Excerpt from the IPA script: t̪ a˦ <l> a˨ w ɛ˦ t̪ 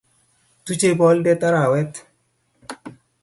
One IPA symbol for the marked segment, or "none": ɾ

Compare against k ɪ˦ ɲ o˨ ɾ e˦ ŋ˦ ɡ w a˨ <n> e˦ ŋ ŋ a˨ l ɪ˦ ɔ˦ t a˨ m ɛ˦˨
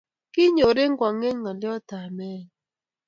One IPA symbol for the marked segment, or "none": ŋ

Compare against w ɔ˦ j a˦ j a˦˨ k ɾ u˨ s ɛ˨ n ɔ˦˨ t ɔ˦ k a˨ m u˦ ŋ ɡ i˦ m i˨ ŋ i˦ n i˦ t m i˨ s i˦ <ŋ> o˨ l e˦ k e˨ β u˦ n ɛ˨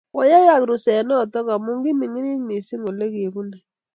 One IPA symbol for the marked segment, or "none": ŋ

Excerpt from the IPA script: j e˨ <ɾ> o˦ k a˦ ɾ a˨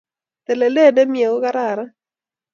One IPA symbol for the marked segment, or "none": none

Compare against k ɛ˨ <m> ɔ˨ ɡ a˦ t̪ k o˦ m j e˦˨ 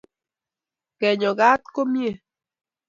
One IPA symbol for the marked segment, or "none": ɲ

